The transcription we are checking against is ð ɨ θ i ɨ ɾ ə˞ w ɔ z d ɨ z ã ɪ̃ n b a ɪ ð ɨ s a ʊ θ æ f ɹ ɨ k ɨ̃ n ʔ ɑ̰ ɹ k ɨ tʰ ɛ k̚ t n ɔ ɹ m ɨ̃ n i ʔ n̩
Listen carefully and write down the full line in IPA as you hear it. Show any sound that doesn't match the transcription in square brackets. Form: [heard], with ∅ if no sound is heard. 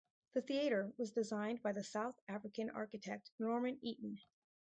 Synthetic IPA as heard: ð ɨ θ i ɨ ɾ ə˞ w [ʌ] z d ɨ z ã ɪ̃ n b a ɪ ð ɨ s a ʊ θ æ f ɹ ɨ k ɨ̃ n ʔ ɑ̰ ɹ k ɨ tʰ ɛ k̚ t n ɔ ɹ m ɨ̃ n i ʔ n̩